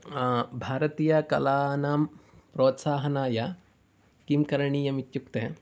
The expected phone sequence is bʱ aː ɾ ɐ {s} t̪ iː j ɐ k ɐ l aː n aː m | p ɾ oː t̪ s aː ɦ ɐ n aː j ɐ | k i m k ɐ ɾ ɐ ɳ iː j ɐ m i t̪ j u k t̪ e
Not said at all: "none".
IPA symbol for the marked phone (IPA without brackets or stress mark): none